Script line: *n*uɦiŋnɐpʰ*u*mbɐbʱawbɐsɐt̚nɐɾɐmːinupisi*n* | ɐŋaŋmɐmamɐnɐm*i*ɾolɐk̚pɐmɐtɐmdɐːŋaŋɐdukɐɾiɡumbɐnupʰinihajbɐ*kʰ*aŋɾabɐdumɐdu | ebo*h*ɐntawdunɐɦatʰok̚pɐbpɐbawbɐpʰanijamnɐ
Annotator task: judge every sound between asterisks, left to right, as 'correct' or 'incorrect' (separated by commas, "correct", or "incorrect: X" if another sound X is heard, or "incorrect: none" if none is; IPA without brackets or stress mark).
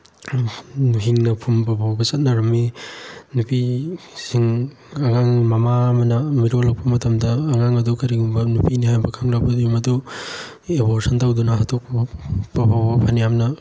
correct, correct, incorrect: ŋ, correct, correct, incorrect: s